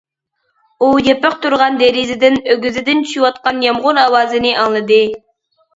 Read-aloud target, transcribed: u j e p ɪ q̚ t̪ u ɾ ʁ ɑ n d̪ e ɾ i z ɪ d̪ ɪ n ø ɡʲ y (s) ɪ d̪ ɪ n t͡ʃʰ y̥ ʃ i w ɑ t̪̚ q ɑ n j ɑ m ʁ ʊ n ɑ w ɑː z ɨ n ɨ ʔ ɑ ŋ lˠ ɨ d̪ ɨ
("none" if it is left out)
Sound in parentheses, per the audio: z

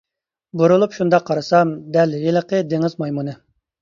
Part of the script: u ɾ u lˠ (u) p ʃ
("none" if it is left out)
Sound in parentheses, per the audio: u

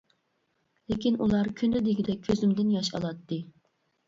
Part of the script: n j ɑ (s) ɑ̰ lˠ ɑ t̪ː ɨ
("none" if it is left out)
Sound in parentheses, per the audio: ʃ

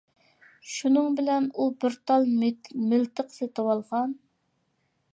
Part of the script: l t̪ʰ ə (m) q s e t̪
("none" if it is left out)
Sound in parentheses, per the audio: none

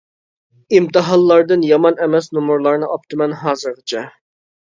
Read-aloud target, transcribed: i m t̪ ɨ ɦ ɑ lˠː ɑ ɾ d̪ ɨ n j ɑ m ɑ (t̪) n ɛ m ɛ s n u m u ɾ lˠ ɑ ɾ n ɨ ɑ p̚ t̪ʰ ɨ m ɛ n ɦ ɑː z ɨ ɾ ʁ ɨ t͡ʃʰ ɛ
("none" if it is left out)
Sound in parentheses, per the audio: none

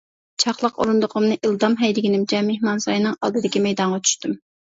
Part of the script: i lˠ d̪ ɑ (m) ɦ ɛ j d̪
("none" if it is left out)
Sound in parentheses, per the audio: m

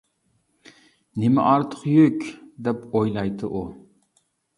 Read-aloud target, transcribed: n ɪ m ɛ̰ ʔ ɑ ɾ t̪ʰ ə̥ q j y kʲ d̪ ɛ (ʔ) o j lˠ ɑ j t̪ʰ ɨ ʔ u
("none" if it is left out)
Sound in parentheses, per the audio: p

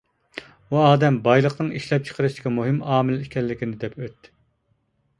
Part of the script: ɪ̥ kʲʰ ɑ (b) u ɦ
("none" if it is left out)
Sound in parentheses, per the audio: m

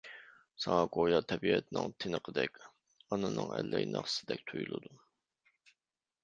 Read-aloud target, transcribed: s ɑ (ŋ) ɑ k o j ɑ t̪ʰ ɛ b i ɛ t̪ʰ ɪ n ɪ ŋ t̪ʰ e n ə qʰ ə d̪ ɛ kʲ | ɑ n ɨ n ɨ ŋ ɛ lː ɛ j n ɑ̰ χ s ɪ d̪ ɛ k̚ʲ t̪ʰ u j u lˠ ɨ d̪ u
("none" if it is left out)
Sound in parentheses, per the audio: ŋ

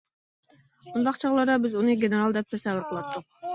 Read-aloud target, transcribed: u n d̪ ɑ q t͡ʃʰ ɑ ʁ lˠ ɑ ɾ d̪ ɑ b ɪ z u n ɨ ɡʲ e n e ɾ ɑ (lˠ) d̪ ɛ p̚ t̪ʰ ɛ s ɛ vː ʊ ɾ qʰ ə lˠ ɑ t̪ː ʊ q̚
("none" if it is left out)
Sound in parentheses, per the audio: lˠ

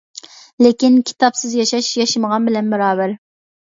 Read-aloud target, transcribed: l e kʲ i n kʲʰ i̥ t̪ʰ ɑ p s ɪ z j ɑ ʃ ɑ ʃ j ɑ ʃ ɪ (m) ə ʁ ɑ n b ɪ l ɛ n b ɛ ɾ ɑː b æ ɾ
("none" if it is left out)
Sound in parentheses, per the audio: m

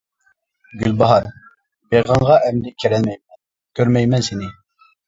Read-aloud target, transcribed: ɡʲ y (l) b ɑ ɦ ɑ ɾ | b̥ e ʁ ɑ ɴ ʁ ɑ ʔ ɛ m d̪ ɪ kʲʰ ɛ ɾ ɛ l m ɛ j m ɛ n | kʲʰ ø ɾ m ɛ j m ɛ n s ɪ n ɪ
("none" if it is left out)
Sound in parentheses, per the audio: l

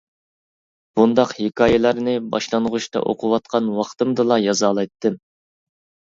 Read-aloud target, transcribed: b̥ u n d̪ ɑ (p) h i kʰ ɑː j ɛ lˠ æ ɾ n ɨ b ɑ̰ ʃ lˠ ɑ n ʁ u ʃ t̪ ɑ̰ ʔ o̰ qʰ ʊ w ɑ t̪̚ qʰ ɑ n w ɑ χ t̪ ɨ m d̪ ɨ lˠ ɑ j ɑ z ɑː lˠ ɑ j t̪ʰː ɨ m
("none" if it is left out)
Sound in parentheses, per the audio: q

